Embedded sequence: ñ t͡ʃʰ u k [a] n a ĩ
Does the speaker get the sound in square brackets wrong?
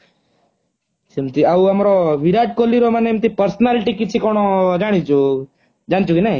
yes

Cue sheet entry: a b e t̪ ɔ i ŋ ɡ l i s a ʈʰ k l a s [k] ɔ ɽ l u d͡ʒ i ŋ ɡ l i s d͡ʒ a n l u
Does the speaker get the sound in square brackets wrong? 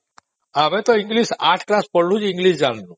yes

